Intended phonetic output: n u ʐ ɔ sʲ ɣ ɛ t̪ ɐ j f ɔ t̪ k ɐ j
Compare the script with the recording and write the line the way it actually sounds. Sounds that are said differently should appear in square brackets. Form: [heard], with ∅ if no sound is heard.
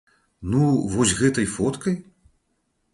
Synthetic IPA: n u [v] ɔ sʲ ɣ ɛ t̪ ɐ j f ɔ t̪ k ɐ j